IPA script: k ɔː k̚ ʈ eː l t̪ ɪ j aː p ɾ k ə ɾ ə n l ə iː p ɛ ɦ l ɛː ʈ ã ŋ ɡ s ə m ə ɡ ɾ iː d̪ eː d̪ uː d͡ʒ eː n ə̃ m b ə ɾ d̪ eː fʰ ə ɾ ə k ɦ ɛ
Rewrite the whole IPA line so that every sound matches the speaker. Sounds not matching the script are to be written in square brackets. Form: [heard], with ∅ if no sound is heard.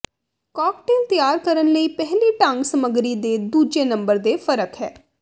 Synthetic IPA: k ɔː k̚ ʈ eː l t̪ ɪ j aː [∅] ɾ k ə ɾ ə n l ə iː p ɛ ɦ l [iː] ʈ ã ŋ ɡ s ə m ə ɡ ɾ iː d̪ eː d̪ uː d͡ʒ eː n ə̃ m b ə ɾ d̪ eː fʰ ə ɾ ə k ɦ [ɛː]